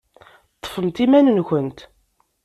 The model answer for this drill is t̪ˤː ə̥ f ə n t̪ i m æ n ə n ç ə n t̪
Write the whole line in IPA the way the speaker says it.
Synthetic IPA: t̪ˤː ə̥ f ə m t̪ i m æ n ə n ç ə n t̪